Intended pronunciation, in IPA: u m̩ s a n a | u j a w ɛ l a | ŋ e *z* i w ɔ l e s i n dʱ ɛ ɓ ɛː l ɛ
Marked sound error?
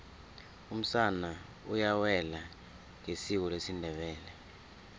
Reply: yes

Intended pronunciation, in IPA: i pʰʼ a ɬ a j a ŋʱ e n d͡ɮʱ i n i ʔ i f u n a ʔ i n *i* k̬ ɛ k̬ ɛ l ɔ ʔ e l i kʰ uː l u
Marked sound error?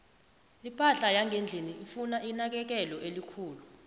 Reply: yes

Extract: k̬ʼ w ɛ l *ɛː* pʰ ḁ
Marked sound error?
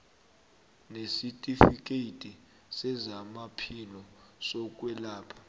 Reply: yes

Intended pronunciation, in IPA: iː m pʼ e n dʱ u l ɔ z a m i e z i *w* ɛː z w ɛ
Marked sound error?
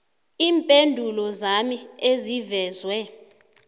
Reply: yes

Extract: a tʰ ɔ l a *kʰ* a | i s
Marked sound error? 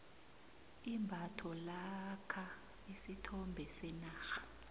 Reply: no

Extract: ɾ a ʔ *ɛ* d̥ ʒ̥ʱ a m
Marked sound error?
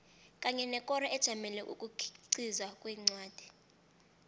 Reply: no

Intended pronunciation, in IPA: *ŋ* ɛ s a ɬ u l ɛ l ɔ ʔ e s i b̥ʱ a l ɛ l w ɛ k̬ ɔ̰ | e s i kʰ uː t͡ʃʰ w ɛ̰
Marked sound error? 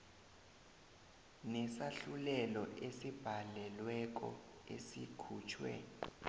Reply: yes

